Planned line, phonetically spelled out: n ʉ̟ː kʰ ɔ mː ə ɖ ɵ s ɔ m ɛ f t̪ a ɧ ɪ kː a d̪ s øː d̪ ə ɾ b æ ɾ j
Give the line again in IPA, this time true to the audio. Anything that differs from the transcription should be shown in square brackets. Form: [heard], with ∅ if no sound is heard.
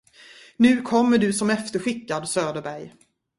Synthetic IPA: n ʉ̟ː kʰ ɔ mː ə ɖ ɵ s ɔ m ɛ f t̪ [ə] ɧ ɪ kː a d̪ s øː d̪ ə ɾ b æ ɾ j